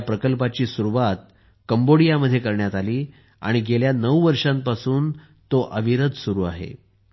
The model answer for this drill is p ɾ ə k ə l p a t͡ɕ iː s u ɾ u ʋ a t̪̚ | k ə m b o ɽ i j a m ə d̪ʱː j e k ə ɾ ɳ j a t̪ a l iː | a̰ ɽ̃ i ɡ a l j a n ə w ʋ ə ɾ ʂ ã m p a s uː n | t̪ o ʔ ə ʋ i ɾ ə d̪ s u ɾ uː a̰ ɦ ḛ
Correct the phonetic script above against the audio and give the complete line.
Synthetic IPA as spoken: p ɾ ə k ə l p a t͡ɕ iː s u ɾ u ʋ a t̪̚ | k ə m b o ɽ i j a m ə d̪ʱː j e k ə ɾ ɳ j a t̪ a l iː | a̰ ɽ̃ i ɡ e l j a n ə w ʋ ə ɾ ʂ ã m p a s uː n | t̪ o ʔ ə ʋ i ɾ ə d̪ s u ɾ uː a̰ ɦ ḛ